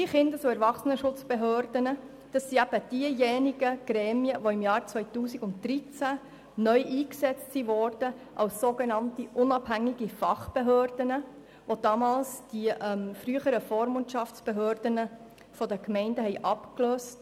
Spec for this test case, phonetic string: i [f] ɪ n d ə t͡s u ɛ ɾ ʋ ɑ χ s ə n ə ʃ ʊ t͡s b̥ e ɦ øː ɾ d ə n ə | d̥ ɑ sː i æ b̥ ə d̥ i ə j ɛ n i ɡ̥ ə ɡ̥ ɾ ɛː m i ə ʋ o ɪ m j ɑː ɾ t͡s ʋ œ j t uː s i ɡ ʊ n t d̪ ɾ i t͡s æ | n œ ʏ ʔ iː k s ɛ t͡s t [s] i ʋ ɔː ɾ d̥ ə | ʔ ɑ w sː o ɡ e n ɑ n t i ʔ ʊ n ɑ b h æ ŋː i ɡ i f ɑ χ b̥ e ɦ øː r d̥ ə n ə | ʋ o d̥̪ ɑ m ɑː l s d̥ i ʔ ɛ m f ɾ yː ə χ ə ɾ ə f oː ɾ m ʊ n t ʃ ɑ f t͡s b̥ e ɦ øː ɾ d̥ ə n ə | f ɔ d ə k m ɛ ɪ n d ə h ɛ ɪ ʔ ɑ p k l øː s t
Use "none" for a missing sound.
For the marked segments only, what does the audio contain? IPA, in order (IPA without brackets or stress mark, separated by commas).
χ, s